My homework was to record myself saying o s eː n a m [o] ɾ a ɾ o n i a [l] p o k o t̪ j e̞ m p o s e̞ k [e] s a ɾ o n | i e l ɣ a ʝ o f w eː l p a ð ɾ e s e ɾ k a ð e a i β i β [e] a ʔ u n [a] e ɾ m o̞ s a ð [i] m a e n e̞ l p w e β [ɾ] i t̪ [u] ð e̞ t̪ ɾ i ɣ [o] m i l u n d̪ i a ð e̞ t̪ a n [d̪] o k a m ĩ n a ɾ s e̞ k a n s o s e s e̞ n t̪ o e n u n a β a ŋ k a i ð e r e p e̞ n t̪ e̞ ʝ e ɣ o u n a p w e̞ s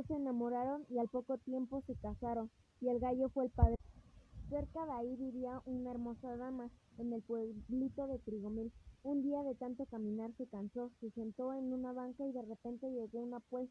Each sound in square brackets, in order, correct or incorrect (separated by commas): correct, correct, incorrect, incorrect, correct, incorrect, incorrect, incorrect, correct, incorrect